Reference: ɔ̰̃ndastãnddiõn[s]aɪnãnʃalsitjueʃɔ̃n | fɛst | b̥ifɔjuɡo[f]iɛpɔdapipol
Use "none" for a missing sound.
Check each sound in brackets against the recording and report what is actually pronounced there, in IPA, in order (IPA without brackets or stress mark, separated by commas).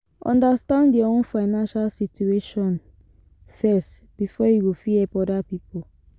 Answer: f, f